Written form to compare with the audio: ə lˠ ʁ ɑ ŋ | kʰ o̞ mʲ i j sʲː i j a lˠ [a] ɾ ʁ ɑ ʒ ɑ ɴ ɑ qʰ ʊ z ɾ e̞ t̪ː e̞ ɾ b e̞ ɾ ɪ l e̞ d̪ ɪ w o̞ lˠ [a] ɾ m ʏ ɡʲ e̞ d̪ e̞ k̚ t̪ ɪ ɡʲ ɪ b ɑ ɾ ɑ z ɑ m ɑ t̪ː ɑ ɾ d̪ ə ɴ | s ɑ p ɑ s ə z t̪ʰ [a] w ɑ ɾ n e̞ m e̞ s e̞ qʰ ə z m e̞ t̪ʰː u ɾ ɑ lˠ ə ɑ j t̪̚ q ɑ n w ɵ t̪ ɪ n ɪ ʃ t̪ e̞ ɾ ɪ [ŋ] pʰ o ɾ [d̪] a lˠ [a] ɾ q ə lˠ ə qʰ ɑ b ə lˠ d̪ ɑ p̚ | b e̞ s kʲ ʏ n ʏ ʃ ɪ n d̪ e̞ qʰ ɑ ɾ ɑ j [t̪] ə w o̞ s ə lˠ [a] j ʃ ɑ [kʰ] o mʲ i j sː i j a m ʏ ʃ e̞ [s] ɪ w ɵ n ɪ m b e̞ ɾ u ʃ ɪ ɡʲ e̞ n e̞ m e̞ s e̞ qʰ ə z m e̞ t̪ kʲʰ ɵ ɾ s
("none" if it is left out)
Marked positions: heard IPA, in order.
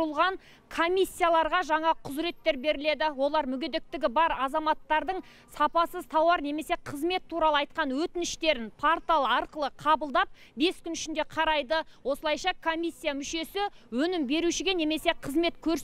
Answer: ɑ, ɑ, ɑ, n, t̪, ɑ, d̪, ɑ, kʰ, s

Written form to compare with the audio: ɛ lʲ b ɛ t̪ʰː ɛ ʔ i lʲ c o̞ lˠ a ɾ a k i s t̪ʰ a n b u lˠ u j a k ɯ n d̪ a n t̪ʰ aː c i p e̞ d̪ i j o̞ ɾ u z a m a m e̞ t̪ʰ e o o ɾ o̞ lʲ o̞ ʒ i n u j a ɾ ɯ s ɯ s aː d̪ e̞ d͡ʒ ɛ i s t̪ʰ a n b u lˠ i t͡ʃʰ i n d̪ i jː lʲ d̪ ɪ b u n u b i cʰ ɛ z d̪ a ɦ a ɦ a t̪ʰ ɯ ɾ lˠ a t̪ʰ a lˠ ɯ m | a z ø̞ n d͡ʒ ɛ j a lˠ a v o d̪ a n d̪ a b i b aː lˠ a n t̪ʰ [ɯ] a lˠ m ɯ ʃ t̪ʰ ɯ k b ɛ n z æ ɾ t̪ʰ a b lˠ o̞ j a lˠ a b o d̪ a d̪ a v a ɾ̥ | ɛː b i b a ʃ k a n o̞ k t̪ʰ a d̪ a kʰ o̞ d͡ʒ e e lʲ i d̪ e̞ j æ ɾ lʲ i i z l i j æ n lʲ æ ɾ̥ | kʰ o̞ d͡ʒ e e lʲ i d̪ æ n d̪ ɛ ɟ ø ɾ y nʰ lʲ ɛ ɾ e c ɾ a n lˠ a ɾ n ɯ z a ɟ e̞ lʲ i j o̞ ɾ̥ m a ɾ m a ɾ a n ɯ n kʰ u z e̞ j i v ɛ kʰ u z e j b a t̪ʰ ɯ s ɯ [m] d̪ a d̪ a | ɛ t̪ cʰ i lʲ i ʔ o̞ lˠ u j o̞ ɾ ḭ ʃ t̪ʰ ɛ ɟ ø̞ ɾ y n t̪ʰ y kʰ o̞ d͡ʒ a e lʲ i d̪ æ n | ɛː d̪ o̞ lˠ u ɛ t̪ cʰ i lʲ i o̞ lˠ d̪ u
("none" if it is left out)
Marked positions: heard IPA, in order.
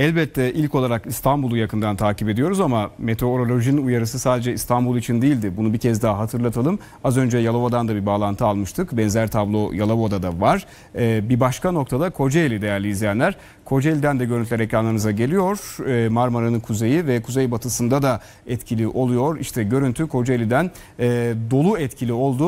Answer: ɯ, n

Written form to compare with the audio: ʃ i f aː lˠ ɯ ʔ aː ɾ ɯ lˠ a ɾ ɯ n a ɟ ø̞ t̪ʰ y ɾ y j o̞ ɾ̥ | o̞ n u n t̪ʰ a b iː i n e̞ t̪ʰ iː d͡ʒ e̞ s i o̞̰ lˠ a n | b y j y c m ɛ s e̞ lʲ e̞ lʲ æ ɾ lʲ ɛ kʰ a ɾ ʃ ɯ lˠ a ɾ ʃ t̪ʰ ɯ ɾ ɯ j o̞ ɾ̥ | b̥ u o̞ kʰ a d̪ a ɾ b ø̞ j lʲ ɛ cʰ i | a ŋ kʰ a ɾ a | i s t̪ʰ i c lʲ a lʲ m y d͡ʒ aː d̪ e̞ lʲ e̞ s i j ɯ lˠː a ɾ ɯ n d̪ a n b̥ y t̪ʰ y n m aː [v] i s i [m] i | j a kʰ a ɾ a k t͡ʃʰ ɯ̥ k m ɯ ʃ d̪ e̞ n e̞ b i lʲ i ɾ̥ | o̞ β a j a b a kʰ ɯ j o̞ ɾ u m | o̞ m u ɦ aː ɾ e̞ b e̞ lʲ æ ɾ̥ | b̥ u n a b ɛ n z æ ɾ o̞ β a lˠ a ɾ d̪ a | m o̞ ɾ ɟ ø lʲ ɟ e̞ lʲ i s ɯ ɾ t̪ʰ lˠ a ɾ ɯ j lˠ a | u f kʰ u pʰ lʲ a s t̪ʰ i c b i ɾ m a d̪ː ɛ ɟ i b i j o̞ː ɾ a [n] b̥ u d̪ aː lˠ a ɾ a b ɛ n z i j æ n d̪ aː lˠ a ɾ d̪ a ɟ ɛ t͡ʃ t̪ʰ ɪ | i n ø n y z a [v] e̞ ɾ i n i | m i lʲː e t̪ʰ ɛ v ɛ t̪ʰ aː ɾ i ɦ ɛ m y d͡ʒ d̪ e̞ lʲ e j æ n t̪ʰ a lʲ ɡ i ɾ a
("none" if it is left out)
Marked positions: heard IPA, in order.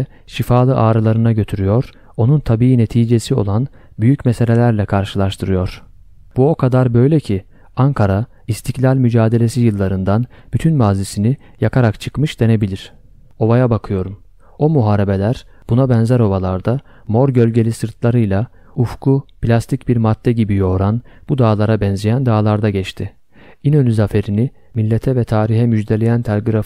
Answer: z, n, n, f

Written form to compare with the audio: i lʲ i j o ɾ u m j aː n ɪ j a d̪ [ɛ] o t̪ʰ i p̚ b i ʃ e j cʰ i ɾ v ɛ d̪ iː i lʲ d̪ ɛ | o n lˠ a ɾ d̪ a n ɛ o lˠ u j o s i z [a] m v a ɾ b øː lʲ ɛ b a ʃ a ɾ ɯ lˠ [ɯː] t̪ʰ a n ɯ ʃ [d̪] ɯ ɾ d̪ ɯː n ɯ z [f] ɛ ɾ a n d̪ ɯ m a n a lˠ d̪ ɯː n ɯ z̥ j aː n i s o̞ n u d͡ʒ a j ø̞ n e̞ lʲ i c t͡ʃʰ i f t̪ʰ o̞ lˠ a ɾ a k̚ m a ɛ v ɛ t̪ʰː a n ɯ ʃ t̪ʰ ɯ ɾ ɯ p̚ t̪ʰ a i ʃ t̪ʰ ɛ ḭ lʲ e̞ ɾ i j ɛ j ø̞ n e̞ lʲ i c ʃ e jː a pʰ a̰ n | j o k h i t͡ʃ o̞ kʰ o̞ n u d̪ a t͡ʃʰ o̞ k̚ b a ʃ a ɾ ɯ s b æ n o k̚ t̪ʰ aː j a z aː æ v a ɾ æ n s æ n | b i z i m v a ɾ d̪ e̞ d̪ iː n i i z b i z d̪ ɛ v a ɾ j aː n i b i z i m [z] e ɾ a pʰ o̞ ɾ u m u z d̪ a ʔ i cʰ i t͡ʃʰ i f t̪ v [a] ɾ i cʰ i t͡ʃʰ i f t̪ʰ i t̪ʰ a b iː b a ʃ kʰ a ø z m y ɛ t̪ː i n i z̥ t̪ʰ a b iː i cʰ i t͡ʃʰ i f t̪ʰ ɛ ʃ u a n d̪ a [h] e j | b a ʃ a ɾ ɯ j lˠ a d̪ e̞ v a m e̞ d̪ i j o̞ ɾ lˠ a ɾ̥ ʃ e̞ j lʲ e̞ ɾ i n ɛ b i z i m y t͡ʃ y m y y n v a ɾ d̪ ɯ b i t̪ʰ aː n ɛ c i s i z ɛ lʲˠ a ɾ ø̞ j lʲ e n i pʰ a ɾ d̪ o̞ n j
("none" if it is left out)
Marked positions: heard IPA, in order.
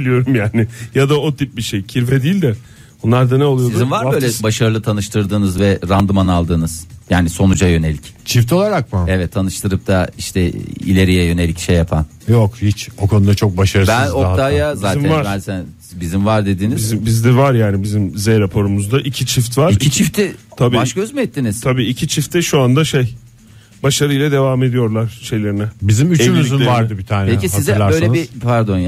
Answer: a, i, ɯ, t̪, v, z, a, ʃ

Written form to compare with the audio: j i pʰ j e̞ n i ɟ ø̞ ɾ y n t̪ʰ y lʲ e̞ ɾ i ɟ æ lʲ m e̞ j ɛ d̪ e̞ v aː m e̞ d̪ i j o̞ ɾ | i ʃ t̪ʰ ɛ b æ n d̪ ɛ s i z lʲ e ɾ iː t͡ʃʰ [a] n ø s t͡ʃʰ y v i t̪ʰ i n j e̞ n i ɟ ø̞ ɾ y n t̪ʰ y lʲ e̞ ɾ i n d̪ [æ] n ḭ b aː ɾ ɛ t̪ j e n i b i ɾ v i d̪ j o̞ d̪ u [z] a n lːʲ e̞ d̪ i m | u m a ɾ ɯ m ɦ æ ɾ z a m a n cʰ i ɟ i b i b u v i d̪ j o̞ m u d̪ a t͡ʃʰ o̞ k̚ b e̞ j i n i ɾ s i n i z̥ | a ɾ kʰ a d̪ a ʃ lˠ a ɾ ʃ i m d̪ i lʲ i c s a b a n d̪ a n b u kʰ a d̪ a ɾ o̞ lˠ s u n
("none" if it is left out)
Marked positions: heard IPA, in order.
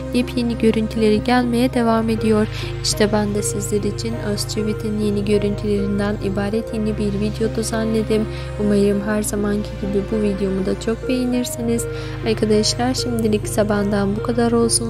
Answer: i, æ, z

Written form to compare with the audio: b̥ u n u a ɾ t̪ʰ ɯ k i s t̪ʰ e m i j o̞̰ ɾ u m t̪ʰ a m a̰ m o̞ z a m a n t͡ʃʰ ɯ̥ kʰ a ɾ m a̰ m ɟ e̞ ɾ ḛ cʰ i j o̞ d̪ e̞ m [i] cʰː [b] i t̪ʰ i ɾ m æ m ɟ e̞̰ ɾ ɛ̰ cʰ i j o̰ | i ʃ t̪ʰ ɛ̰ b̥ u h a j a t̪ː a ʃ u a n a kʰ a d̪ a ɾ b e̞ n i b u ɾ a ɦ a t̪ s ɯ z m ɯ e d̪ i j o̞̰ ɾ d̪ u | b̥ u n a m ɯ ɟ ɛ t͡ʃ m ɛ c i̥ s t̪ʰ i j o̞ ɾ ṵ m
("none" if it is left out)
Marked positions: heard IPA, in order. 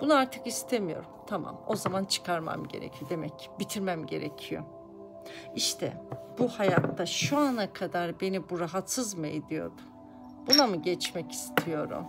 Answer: ɛ, b

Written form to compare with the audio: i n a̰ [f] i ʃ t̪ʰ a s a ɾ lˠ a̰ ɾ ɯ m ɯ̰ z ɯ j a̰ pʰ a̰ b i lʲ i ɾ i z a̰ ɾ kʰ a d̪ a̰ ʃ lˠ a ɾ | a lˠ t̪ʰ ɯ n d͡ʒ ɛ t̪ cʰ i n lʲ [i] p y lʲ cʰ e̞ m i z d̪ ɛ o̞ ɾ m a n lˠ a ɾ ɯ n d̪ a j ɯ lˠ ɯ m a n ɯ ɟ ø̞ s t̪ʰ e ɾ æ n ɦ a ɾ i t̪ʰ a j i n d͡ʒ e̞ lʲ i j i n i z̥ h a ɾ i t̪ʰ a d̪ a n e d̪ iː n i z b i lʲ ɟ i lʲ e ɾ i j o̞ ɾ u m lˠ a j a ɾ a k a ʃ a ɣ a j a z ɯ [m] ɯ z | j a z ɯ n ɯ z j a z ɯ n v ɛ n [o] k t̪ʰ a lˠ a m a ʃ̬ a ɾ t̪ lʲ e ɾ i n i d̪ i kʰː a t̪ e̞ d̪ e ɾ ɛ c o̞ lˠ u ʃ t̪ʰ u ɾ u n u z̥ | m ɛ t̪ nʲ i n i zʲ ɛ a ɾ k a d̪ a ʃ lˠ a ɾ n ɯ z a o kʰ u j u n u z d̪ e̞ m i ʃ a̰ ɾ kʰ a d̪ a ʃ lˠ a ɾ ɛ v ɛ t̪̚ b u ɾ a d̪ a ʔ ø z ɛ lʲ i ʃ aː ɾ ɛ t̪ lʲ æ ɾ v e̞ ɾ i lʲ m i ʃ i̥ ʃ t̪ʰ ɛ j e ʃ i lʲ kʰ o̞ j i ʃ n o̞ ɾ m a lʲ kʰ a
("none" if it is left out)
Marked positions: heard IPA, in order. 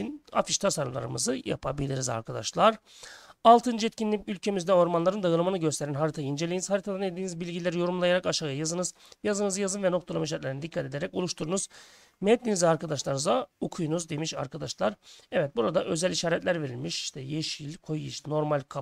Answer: f, i, n, o

